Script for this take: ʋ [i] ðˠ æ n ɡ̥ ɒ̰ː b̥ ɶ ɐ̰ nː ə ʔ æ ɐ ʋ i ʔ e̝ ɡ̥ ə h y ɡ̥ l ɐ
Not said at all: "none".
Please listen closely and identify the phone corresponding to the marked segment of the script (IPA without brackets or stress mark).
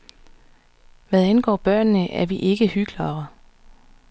æ